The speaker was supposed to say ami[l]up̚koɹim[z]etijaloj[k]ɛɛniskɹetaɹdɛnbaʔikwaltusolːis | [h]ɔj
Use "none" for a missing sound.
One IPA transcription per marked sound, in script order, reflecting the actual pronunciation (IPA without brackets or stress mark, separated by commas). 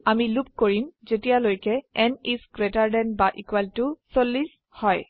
l, z, k, h